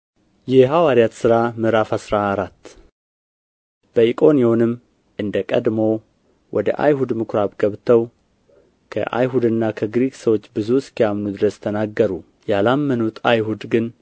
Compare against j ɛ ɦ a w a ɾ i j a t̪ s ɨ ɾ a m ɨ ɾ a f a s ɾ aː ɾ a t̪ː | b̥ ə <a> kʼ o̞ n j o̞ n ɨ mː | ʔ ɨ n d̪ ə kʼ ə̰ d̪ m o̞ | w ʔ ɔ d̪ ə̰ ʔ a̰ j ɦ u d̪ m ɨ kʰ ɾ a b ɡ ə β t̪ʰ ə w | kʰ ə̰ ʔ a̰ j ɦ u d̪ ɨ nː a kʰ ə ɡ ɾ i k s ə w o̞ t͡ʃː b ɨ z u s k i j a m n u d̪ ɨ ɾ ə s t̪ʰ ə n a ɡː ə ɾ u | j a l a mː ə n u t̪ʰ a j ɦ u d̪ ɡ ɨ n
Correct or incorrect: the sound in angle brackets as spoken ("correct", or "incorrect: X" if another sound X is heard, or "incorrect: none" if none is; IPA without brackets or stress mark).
incorrect: i